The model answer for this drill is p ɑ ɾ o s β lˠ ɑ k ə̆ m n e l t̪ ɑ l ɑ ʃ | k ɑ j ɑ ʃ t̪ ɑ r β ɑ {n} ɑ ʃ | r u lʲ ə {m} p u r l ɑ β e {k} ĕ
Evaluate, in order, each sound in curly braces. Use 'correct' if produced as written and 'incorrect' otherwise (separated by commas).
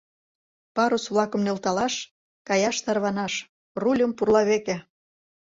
correct, correct, correct